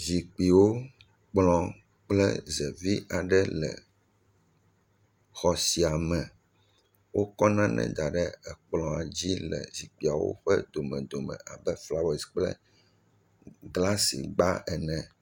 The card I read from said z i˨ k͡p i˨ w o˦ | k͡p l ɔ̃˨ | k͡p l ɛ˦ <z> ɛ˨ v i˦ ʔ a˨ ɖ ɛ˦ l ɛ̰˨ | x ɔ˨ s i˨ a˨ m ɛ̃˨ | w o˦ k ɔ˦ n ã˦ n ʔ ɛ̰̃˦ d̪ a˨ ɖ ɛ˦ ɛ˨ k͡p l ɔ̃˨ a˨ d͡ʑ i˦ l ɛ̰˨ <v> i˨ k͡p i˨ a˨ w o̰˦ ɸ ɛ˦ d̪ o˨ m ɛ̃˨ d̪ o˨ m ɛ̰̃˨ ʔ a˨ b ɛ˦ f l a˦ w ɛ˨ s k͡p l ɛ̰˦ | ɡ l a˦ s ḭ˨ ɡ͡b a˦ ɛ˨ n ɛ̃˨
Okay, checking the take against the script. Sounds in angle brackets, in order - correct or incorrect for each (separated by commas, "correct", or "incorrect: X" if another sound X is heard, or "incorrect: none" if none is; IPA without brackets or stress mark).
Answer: correct, incorrect: z